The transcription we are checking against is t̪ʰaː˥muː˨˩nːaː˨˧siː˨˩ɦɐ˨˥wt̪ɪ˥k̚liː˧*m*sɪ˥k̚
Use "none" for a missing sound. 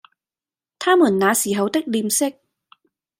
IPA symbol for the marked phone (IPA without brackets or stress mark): m